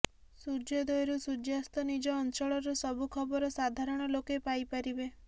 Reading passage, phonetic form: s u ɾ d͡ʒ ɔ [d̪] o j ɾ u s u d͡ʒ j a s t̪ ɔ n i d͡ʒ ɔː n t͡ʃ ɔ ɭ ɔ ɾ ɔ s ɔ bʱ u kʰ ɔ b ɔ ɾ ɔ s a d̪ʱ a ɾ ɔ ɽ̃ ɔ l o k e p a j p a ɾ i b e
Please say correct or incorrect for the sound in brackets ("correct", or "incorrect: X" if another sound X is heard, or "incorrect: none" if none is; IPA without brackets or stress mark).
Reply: correct